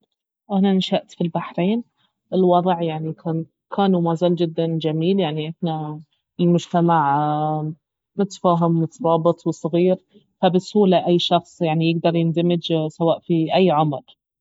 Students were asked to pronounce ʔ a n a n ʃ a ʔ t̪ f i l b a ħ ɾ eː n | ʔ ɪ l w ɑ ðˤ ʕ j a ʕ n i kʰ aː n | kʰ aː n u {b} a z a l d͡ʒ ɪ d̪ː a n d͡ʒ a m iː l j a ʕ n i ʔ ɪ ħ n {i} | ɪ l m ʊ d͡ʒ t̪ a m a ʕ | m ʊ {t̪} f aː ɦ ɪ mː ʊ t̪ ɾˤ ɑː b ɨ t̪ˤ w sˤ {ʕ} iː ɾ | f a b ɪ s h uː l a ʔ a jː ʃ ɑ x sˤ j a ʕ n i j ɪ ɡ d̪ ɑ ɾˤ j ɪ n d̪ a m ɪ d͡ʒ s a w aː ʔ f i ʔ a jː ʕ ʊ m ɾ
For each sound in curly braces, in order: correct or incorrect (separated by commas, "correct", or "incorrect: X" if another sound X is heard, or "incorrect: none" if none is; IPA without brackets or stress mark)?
incorrect: m, incorrect: a, correct, incorrect: ɣ